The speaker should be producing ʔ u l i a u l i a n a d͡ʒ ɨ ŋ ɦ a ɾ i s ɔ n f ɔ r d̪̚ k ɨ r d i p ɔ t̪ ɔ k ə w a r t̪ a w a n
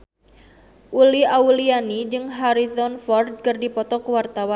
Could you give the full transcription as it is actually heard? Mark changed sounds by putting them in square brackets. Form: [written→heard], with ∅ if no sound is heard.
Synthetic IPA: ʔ u l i a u l i a n [a→i] d͡ʒ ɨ ŋ ɦ a ɾ i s ɔ n f ɔ r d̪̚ k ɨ r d i p ɔ t̪ ɔ k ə w a r t̪ a w a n